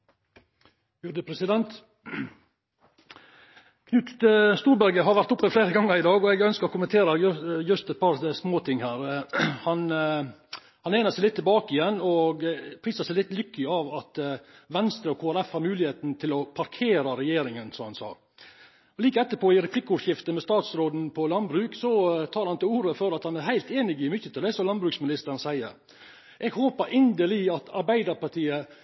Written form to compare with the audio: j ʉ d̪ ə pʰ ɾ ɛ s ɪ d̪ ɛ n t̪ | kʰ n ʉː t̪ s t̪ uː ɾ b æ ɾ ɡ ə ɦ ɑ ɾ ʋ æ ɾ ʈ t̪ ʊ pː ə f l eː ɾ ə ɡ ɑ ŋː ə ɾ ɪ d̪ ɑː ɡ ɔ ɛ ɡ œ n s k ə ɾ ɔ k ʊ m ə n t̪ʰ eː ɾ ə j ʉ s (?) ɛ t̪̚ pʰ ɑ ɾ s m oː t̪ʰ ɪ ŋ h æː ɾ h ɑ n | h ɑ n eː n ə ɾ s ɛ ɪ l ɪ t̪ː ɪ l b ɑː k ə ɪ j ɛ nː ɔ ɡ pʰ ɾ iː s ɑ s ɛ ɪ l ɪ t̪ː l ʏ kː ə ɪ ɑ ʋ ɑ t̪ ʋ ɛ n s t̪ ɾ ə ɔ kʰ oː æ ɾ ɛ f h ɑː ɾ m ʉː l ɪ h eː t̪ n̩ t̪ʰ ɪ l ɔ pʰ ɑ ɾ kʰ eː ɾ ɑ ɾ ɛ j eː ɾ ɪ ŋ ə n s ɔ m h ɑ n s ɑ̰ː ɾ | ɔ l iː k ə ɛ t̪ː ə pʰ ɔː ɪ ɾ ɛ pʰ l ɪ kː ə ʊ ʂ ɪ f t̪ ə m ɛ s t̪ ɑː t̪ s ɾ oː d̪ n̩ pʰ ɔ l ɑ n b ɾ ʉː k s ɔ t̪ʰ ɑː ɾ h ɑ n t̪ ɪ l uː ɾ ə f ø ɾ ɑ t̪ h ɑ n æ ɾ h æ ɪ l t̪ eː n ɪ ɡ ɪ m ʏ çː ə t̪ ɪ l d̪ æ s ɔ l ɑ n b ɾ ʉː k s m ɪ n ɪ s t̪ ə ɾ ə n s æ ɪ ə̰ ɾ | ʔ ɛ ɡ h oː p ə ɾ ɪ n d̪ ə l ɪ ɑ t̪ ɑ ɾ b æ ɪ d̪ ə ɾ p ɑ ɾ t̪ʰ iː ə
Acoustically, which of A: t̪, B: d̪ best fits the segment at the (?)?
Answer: A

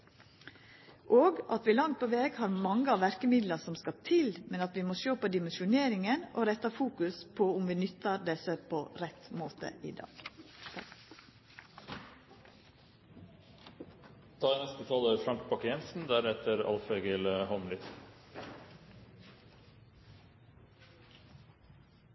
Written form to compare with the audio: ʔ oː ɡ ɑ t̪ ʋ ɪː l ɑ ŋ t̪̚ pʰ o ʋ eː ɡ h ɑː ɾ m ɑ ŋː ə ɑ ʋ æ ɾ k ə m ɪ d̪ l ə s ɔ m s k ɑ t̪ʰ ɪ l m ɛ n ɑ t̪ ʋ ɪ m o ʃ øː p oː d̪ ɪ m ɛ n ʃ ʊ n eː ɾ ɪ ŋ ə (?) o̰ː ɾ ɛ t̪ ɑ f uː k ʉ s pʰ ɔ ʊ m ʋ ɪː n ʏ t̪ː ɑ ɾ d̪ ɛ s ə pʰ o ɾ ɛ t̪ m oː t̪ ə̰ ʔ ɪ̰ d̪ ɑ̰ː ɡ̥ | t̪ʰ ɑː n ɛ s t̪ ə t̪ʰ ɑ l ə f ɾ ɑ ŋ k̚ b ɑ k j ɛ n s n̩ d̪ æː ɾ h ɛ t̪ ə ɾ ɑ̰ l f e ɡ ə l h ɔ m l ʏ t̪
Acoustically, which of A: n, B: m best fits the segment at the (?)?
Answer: A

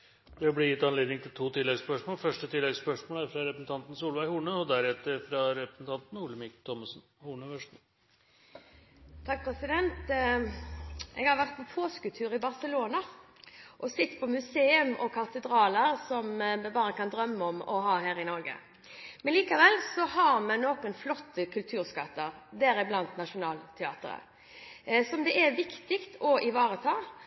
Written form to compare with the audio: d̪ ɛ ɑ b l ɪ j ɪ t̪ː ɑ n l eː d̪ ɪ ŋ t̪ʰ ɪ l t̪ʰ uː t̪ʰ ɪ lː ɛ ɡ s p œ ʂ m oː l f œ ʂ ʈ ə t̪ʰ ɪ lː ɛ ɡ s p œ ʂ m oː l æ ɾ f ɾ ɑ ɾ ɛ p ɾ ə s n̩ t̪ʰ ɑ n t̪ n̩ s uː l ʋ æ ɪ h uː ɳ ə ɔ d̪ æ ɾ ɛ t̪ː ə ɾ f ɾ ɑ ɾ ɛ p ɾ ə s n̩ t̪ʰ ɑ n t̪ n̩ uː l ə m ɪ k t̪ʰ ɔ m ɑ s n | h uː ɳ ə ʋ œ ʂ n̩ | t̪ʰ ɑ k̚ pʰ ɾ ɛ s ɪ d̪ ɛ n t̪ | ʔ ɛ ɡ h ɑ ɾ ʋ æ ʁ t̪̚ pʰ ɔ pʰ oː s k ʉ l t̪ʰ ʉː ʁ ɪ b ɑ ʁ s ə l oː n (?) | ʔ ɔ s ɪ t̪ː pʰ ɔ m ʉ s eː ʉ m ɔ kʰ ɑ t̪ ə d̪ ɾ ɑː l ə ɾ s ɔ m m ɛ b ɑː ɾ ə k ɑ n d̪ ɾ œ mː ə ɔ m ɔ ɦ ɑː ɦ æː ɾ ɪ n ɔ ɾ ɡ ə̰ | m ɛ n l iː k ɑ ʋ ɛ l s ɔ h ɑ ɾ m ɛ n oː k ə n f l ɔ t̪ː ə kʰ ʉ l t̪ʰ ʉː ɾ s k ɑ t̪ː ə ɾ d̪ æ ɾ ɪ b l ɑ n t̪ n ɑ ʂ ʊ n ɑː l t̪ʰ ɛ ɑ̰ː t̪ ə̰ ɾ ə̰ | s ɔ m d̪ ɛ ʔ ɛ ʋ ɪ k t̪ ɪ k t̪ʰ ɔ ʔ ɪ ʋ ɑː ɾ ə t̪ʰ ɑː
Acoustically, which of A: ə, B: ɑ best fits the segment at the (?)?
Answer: B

